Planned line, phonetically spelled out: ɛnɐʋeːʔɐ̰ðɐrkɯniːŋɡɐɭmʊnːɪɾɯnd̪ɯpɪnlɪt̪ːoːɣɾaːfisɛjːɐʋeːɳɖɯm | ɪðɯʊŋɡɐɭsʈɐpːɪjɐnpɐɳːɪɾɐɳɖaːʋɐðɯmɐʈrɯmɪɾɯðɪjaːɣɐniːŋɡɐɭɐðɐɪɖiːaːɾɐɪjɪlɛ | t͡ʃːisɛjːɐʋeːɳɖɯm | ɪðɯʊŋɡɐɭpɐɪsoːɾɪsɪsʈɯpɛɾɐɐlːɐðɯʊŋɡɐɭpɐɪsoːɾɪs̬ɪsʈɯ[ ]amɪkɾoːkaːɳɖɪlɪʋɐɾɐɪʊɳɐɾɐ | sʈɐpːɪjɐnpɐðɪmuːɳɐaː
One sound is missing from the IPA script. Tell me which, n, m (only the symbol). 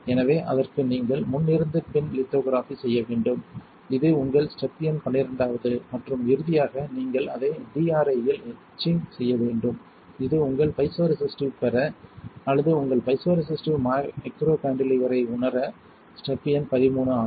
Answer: m